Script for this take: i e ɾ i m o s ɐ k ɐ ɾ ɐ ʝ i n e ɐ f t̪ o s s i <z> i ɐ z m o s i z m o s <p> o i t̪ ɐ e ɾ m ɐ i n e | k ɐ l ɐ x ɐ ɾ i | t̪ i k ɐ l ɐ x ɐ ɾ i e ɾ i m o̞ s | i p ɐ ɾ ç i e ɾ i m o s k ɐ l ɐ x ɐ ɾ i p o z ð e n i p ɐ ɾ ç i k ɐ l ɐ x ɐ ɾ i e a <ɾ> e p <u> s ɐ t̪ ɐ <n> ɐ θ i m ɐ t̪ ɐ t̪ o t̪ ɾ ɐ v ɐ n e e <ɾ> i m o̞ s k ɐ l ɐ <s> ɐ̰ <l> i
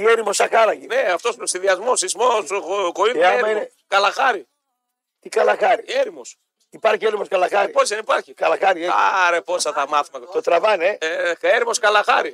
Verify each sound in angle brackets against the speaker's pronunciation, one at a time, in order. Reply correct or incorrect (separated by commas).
incorrect, incorrect, correct, incorrect, incorrect, correct, incorrect, incorrect